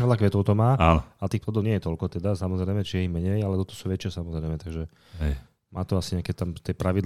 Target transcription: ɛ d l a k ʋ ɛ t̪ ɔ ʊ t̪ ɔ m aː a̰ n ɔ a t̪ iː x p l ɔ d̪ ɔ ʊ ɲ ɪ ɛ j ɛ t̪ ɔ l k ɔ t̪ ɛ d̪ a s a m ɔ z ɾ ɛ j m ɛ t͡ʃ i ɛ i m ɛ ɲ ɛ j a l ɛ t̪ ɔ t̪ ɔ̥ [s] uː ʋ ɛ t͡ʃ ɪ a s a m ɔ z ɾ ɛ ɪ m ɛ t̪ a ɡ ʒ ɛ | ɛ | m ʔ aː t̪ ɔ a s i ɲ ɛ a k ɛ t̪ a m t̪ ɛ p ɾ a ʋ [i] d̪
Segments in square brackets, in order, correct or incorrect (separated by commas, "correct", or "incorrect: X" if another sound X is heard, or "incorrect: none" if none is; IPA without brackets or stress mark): correct, correct